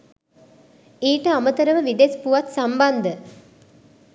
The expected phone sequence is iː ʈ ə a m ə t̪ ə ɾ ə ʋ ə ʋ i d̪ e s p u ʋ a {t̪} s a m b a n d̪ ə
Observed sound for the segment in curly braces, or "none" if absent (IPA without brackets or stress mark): t̪